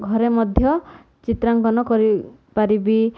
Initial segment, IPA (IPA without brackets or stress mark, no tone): ɡʱ